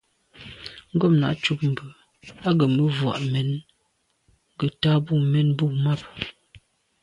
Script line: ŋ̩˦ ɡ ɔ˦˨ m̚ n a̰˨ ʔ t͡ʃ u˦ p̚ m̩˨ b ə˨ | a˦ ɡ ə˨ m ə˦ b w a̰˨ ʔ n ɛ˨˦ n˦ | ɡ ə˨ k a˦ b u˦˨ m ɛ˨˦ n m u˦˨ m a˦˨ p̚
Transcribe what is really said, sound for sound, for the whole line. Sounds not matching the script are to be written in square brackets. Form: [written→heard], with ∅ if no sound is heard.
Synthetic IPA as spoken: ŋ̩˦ ɡ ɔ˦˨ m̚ n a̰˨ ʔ t͡ʃ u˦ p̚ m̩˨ b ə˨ | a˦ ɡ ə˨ m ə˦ [b→v] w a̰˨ ʔ [n→m] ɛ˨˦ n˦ | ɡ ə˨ [k→t] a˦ b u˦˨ m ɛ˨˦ n [m→b] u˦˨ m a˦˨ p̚